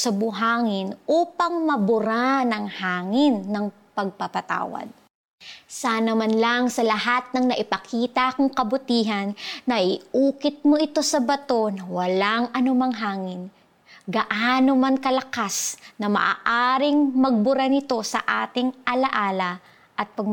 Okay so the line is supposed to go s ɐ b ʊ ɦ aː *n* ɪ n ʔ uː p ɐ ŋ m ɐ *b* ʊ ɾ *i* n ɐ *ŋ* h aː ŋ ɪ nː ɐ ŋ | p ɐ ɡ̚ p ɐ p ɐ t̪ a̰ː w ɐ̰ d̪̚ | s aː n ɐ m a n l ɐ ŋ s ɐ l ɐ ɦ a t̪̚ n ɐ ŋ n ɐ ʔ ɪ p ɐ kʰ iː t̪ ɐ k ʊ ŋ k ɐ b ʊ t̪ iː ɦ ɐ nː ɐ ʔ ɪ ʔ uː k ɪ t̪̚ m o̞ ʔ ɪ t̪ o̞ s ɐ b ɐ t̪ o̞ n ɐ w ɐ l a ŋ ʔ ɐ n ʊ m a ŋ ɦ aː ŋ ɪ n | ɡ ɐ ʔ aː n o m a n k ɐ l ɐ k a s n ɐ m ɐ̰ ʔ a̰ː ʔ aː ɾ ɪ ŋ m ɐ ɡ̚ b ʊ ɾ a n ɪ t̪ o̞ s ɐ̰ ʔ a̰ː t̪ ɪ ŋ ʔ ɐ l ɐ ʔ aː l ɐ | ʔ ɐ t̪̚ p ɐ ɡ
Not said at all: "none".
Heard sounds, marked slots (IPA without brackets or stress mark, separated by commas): ŋ, b, a, ŋ